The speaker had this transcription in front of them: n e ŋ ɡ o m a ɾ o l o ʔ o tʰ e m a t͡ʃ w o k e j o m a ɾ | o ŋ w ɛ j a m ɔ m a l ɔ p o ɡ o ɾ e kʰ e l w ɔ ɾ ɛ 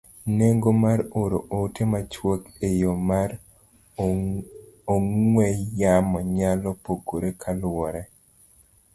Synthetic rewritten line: n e ŋ ɡ o m a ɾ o ɾ o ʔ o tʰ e m a t͡ʃ w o k e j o m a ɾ | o ŋ w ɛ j a m ɔ ɲ a l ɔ p o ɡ o ɾ e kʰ a l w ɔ ɾ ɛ